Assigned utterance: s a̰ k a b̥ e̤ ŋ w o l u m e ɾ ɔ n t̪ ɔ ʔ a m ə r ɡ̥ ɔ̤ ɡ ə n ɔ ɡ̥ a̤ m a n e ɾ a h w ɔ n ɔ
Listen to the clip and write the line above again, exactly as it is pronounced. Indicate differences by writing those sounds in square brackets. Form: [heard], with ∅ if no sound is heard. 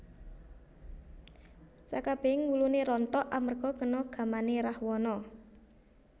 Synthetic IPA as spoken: s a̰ k a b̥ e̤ ŋ w [u] l u [n] e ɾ ɔ n t̪ ɔ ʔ a m ə r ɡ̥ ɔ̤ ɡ ə n ɔ ɡ̥ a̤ m a n e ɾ a h w ɔ n ɔ